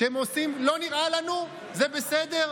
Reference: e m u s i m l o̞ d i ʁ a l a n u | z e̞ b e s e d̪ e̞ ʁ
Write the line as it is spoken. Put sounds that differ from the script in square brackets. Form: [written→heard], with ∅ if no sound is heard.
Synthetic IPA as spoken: e m [u→o] s i m l o̞ [d→n] i ʁ a l a n u | z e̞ b e s e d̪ e̞ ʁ